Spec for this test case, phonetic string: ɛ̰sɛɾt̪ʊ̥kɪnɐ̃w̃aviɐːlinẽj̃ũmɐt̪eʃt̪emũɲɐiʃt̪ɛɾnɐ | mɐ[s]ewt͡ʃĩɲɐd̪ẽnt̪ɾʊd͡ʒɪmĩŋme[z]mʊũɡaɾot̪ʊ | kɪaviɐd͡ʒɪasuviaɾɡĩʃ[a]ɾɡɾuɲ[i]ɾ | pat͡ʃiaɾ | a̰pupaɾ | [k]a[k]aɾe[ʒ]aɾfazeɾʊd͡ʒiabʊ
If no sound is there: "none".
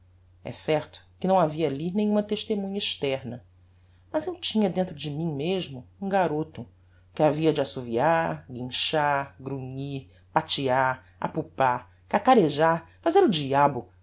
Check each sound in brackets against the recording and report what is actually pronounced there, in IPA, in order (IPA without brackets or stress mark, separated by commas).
z, ʒ, a, i, k, k, ʒ